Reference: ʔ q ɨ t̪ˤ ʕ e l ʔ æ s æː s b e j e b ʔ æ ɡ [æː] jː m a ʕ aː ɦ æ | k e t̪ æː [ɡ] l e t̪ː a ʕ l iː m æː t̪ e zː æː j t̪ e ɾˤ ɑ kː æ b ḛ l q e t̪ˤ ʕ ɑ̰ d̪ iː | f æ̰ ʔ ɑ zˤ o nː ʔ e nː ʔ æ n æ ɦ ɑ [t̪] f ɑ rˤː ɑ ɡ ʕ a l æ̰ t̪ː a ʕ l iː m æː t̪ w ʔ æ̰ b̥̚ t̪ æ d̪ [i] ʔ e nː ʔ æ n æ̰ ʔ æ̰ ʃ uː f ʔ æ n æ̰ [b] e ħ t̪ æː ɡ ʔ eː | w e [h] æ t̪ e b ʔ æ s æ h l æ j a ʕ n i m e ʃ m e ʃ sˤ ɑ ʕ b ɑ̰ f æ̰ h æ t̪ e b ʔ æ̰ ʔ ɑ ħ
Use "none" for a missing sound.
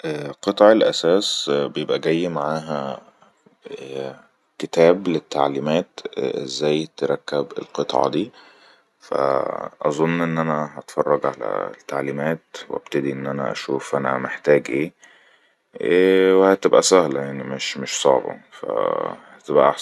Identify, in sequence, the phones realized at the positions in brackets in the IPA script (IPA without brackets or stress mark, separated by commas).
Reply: æ, b, t̪, i, m, h